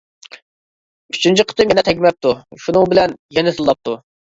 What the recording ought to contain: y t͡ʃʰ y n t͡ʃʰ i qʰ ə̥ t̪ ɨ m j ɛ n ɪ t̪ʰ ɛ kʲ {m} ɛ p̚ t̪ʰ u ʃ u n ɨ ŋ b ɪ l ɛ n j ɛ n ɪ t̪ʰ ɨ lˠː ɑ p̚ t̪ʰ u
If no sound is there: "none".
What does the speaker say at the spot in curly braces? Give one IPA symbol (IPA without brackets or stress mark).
m